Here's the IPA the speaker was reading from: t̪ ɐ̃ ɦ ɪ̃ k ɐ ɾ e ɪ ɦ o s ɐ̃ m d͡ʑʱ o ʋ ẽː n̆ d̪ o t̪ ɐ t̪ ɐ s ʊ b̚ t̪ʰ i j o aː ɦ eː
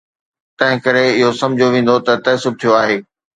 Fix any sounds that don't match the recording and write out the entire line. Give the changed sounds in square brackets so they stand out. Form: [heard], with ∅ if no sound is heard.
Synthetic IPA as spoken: t̪ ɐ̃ ɦ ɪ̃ k ɐ ɾ e ɪ ɦ o s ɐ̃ m d͡ʑʱ o ʋ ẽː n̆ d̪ o t̪ ɐ t̪ ɐ s ʊ b̚ t̪ʰ i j o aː ɦ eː